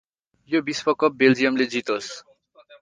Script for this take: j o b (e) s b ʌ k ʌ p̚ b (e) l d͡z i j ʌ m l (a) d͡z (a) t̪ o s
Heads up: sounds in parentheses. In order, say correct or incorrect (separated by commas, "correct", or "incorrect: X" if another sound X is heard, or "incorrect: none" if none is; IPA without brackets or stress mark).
incorrect: i, correct, incorrect: e, incorrect: i